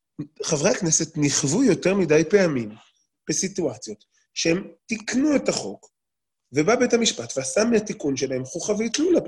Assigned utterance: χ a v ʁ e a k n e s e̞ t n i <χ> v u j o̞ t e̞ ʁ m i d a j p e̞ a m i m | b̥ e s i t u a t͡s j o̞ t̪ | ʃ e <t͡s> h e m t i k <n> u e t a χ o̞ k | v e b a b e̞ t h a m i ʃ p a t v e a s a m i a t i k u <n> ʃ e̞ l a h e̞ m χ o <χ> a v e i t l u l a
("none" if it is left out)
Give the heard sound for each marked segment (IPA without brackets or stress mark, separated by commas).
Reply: χ, none, n, n, χ